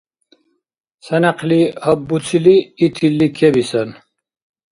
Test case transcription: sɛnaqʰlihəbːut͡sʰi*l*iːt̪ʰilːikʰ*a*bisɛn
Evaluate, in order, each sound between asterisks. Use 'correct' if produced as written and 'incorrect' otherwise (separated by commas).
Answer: correct, incorrect